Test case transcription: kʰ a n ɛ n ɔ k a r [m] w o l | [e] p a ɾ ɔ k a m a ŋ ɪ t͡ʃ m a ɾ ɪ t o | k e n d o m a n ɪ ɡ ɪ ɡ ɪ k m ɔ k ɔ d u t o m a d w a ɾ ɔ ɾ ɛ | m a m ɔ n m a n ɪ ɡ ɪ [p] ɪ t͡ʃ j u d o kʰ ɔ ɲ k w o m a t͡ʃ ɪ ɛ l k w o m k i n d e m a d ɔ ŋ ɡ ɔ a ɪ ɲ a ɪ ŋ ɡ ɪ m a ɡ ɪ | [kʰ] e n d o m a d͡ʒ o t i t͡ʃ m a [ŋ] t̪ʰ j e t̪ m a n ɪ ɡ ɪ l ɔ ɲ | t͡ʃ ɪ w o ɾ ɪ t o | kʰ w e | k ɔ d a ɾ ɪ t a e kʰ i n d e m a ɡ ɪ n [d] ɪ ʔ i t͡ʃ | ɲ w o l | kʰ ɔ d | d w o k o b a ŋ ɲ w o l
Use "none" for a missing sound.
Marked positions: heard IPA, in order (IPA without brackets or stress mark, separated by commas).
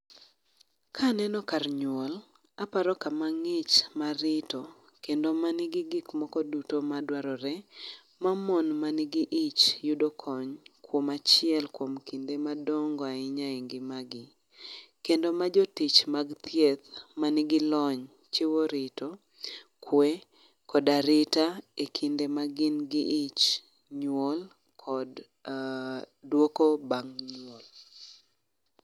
ɲ, a, ʔ, k, ɡ, ɡ